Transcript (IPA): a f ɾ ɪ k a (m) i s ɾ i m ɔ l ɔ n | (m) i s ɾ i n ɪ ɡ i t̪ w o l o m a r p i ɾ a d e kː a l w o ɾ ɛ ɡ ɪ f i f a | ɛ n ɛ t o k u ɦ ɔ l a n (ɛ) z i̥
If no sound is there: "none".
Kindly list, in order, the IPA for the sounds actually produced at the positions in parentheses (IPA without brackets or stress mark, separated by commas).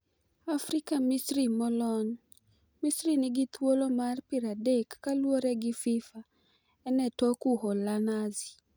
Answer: m, m, a